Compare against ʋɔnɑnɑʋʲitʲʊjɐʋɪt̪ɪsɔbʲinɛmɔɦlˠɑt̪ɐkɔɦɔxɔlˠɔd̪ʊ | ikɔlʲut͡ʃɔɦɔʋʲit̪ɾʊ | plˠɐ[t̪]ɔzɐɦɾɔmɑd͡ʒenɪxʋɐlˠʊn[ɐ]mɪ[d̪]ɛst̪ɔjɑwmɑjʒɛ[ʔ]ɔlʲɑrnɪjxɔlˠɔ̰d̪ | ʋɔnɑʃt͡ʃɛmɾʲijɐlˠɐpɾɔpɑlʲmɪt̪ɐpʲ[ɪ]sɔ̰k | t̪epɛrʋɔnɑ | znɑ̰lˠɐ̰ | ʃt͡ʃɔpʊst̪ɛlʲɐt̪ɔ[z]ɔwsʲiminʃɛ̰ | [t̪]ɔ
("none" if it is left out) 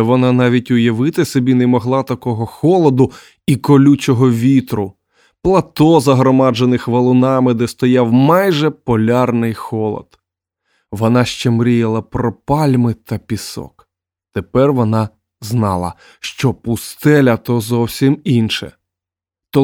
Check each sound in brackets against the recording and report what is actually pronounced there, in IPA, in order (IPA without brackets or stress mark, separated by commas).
t̪, ɑ, d̪, p, i, z, t̪